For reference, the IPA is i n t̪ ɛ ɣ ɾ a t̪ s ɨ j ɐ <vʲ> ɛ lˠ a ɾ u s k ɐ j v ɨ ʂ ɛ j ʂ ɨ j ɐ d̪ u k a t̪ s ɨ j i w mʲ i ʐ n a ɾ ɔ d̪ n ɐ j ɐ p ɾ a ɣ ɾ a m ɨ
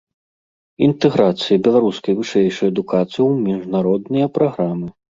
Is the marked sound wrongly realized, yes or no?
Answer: yes